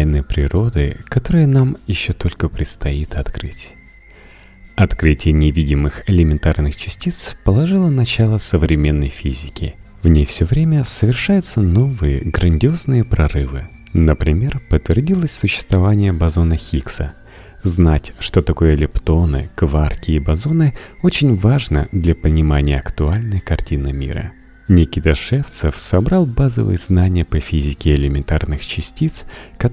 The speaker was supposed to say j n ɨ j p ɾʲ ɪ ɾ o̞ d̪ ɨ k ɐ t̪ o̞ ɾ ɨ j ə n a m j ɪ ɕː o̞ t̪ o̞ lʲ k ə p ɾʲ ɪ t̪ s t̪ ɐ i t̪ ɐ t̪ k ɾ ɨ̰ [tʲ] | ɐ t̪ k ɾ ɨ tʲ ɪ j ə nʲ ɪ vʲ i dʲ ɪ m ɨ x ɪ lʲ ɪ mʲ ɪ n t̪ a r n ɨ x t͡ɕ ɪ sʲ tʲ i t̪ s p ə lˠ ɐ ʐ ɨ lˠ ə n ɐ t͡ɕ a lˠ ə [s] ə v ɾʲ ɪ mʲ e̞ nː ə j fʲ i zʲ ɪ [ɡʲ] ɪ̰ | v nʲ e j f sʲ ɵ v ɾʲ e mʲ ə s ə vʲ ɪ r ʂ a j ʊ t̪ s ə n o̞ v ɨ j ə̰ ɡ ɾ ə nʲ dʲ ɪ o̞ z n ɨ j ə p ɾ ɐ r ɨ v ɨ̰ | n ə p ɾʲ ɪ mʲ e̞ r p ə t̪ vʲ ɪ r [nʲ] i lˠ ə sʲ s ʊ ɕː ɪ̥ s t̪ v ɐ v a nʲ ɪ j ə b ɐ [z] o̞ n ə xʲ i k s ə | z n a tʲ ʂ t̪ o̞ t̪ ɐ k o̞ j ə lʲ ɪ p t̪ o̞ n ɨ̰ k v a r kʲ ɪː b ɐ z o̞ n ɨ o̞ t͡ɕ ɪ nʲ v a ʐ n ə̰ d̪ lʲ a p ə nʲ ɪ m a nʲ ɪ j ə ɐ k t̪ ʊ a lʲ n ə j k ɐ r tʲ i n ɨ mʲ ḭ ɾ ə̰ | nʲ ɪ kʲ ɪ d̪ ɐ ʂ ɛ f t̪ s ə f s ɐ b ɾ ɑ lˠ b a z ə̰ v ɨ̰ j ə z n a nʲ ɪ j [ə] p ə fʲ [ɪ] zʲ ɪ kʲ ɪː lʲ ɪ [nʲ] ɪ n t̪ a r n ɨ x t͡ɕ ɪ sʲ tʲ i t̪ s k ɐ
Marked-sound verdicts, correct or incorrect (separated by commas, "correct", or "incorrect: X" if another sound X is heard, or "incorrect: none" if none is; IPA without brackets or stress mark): correct, correct, incorrect: kʲ, incorrect: dʲ, correct, correct, incorrect: i, incorrect: mʲ